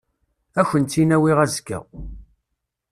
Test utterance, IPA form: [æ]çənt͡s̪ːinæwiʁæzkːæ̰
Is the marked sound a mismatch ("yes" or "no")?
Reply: no